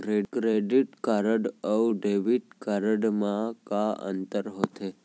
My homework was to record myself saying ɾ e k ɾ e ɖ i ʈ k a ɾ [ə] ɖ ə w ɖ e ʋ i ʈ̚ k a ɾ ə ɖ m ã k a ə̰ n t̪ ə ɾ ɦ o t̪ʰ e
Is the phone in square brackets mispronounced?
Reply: no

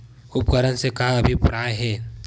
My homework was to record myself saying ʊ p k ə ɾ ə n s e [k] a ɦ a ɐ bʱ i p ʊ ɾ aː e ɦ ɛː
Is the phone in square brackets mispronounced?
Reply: no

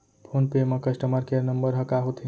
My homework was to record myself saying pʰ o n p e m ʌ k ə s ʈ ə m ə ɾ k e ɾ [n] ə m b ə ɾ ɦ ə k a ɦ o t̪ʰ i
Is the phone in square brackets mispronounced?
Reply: no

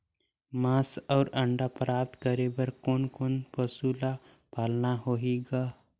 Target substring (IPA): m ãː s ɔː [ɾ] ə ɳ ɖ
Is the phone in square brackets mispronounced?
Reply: no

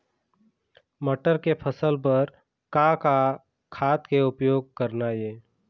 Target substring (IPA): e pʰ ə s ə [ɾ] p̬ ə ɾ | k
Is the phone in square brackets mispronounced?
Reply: yes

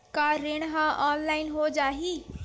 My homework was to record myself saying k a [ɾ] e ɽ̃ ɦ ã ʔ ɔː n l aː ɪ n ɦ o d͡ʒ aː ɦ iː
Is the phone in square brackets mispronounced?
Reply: no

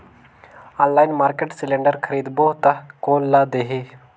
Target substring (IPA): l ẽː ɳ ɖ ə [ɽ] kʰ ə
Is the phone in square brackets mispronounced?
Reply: yes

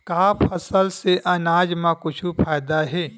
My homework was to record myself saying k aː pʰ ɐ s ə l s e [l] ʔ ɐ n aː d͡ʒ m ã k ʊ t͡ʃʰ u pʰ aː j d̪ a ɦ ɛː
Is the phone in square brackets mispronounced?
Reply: yes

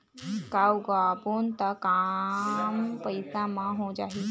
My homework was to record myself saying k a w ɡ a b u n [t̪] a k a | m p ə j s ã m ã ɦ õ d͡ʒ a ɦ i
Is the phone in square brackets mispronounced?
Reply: no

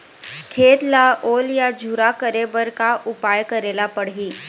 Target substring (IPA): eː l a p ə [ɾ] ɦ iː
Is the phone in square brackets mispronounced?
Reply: yes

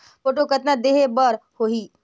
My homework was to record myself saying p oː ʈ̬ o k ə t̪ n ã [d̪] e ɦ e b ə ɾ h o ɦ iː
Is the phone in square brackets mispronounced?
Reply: no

